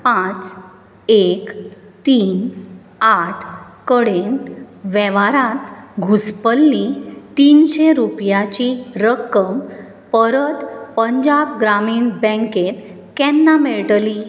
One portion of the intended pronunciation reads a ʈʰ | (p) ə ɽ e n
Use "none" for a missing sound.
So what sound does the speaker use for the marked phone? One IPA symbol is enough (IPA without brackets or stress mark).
k